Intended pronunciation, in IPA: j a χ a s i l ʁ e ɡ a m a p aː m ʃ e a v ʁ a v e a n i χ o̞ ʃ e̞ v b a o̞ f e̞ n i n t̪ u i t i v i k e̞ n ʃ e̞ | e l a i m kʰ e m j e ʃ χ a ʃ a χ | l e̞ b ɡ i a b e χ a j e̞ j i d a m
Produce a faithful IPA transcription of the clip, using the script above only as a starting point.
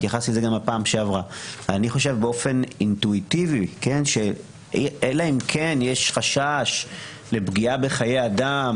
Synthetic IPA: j a χ a s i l z e ɡ a m a p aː m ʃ e a v ʁ a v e a n i χ o̞ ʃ e̞ v b e o̞ f e̞ n i n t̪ u i t i v i k e̞ n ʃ e̞ | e l a i m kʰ e n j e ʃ χ a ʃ a ʃ | l e̞ b ɡ i a b e χ a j e̞ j a d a m